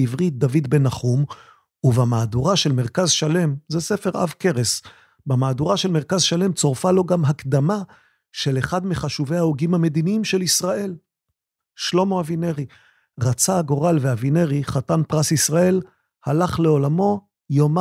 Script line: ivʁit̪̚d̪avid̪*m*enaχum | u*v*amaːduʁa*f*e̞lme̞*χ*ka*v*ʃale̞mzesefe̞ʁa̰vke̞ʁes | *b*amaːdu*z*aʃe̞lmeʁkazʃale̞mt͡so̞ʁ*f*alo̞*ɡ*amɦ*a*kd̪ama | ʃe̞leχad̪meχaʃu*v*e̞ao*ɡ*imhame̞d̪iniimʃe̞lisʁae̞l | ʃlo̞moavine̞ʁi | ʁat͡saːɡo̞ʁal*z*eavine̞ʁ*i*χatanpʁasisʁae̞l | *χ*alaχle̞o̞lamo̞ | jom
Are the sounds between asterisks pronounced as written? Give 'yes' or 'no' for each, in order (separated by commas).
no, yes, no, no, no, yes, no, yes, yes, yes, yes, yes, no, yes, no